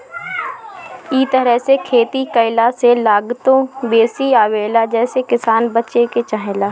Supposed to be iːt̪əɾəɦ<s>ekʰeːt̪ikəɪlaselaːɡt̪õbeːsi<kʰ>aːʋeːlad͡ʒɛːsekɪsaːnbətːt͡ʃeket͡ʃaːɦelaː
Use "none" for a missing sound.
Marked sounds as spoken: s, none

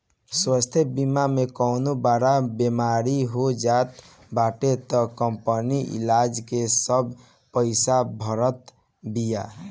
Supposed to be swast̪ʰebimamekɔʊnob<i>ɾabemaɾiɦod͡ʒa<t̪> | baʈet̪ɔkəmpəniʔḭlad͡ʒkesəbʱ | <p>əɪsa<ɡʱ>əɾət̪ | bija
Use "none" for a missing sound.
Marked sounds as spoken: a, t̪, p, bʱ

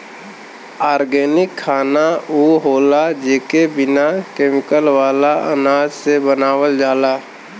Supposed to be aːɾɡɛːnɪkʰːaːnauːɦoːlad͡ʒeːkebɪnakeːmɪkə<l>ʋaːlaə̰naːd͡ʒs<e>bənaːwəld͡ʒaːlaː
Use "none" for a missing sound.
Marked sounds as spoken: l, e

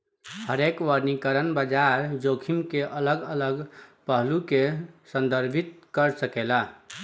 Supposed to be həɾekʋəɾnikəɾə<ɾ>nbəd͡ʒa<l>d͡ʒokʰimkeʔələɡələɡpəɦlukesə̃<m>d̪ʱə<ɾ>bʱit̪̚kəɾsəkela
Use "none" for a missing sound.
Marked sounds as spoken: none, ɾ, n, ɾ

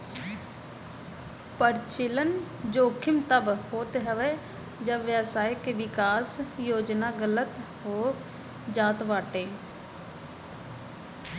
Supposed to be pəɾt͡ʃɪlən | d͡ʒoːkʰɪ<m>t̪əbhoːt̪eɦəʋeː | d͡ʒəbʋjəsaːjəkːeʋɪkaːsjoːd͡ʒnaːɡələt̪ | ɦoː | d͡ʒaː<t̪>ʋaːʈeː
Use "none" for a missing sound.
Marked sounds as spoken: m, t̪

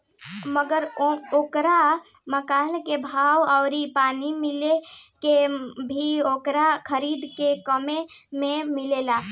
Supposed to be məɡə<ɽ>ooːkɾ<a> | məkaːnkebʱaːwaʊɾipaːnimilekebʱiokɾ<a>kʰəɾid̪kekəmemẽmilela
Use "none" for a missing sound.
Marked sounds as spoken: ɾ, a, a

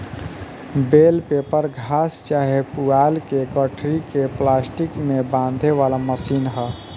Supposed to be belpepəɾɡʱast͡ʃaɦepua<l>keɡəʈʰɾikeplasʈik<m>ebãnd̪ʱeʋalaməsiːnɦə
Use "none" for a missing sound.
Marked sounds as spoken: l, m

